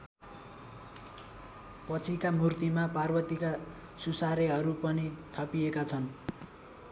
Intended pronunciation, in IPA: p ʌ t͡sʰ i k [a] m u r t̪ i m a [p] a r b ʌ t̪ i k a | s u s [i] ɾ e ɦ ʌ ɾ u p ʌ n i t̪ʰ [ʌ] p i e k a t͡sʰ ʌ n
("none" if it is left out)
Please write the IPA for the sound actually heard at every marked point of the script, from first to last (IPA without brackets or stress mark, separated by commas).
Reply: a, p, a, ʌ